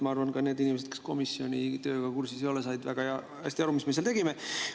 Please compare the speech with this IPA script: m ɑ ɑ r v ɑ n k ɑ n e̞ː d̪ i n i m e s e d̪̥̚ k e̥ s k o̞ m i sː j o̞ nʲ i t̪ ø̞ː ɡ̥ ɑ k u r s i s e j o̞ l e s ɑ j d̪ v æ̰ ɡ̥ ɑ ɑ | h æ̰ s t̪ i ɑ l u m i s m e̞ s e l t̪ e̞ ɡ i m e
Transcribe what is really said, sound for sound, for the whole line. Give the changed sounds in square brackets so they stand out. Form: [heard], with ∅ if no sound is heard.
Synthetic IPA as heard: m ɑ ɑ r v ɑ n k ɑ n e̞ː d̪ i n i m e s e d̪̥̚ k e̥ s k o̞ m i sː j o̞ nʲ i t̪ ø̞ː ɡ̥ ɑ k u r s i s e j o̞ l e s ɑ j d̪ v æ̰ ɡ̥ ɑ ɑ | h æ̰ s t̪ i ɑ [ɾ] u m i s m e̞ s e l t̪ e̞ ɡ i m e